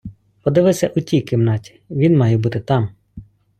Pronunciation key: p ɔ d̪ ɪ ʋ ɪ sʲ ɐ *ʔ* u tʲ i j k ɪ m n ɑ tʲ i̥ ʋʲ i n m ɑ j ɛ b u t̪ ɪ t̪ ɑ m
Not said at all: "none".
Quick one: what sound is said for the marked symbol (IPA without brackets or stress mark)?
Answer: ʔ